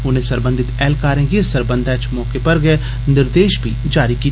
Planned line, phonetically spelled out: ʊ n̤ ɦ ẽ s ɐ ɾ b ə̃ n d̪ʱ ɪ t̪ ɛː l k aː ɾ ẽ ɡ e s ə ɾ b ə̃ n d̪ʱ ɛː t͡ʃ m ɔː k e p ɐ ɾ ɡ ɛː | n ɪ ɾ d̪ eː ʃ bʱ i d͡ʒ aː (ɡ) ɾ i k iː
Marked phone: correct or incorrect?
incorrect